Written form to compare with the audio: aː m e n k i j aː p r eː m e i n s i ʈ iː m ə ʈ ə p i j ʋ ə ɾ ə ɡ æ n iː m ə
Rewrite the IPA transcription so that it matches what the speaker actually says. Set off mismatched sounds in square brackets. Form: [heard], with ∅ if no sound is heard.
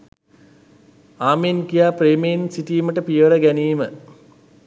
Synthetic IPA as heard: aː m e n k i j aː p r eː m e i n s i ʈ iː m ə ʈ ə p i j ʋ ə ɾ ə ɡ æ n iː m ə